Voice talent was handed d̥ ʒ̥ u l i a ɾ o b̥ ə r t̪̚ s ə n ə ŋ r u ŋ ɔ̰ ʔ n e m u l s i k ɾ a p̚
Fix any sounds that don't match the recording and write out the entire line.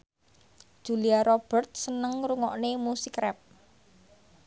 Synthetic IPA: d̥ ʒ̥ u l i a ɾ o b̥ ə r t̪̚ s ə n ə ŋ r u ŋ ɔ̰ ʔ n e m u s i k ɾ ɛ p̚